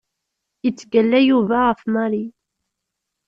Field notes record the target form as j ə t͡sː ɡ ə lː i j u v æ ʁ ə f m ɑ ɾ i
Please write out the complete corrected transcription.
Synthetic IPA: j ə t͡sː ɡ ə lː æ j u v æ ʁ ə f m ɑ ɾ i